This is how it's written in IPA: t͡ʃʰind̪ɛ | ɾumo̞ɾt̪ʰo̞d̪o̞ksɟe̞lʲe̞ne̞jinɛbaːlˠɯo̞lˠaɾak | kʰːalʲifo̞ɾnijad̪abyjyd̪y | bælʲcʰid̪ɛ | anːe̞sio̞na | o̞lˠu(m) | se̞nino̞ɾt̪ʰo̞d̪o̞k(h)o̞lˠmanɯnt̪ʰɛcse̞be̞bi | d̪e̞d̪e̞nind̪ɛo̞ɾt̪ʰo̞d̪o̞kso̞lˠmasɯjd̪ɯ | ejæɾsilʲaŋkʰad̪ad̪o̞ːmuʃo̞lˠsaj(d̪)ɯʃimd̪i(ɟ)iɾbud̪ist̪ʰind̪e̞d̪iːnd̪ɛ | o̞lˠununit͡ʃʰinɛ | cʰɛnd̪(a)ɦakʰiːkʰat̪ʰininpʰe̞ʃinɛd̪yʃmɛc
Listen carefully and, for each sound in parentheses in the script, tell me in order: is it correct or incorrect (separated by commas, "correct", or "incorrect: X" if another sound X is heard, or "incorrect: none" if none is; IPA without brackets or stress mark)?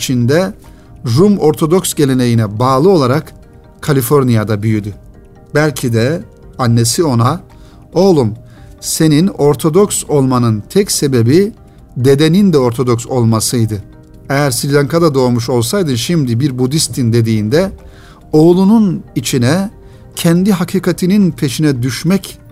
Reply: correct, incorrect: s, correct, incorrect: b, incorrect: i